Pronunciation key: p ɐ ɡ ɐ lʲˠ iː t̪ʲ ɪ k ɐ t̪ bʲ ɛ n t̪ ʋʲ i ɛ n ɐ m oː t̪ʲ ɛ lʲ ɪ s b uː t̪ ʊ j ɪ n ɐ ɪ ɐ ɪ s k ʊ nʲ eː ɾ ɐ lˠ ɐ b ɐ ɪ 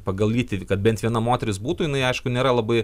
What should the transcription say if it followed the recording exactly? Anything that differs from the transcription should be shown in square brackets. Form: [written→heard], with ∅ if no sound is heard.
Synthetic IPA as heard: p ɐ ɡ ɐ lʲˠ iː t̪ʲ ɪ k ɐ t̪ bʲ ɛ n t̪ ʋʲ i ɛ n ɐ m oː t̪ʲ ɛ [lʲ→ɾʲ] ɪ s b uː t̪ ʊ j ɪ n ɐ ɪ ɐ ɪ [s→ʃ] k ʊ nʲ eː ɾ ɐ lˠ ɐ b ɐ ɪ